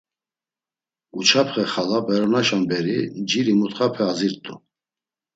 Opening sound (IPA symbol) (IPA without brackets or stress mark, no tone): u